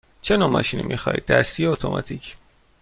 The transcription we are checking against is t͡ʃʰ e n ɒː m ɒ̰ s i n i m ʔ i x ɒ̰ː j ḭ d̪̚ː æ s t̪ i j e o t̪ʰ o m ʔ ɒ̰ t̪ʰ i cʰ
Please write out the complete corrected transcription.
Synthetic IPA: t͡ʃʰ e n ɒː m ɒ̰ ʃ i n i m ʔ i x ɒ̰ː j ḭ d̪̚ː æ s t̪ i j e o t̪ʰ o m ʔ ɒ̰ t̪ʰ i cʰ